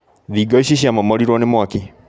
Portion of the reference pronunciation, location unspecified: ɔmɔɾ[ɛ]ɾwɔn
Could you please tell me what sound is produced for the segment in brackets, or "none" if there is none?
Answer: i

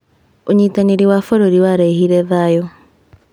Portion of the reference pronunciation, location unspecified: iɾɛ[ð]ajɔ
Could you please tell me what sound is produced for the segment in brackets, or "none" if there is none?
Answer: ð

